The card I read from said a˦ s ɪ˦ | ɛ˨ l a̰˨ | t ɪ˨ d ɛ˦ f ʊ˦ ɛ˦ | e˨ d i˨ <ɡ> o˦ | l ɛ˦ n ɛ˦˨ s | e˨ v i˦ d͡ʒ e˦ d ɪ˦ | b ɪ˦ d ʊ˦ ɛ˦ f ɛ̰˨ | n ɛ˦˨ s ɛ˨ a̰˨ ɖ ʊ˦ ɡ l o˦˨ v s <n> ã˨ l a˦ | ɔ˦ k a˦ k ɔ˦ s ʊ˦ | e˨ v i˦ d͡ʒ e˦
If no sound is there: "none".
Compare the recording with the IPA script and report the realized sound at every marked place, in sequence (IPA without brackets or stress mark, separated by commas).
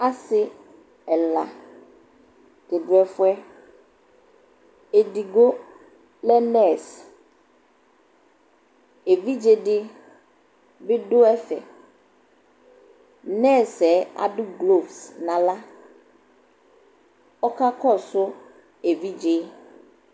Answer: ɡ, n